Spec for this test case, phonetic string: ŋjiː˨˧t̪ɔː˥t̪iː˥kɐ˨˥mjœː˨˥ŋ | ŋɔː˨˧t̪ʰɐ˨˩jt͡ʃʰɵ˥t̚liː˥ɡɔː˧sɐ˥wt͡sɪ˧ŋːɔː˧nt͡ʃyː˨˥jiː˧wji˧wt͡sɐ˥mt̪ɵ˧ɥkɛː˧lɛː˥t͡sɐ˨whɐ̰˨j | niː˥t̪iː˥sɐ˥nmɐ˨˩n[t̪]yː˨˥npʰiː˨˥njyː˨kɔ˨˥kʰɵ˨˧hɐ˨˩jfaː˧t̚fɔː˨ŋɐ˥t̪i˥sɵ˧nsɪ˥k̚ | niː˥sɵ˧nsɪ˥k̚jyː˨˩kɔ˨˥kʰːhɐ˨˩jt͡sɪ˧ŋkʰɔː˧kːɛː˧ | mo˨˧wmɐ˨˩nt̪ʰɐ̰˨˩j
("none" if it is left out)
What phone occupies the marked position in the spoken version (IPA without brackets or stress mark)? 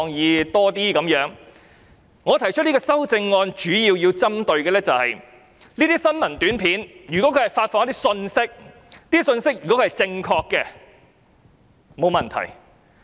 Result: t̪